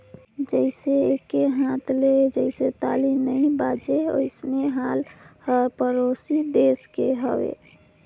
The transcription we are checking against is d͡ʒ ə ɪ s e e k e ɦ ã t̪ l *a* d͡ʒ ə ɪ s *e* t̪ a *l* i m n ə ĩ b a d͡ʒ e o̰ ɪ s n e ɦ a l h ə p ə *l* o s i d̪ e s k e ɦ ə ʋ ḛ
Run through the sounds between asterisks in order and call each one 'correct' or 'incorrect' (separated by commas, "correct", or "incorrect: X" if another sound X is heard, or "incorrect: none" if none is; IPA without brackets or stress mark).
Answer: incorrect: e, correct, correct, incorrect: ɾ